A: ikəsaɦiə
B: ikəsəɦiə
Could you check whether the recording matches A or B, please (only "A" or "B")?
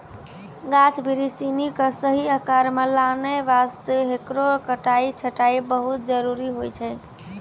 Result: B